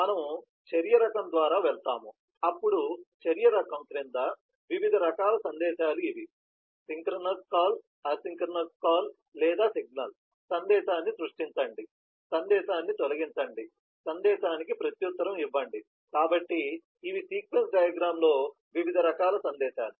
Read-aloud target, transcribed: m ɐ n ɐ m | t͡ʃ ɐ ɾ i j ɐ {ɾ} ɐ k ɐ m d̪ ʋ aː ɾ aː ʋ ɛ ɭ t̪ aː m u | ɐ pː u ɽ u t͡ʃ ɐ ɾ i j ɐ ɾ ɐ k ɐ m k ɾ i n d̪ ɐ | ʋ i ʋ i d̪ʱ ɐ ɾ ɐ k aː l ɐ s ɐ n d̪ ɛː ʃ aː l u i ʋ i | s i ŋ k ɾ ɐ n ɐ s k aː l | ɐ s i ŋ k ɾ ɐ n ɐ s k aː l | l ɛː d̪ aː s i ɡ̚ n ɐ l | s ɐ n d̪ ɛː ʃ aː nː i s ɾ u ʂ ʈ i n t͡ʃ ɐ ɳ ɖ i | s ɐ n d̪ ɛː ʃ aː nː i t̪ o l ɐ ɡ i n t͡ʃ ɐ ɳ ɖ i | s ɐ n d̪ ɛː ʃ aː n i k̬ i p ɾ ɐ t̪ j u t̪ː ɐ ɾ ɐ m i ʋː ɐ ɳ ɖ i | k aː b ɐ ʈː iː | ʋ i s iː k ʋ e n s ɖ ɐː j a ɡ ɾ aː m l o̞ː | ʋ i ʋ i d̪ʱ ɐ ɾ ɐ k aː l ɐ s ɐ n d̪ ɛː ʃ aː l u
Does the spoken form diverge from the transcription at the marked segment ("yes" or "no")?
no